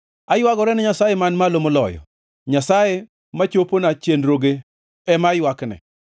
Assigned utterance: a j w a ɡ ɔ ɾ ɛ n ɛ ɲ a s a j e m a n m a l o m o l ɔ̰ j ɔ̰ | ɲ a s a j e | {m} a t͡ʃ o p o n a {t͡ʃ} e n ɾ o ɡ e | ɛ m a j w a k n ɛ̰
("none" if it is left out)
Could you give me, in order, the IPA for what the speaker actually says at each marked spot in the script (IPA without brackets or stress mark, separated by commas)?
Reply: m, t͡ʃ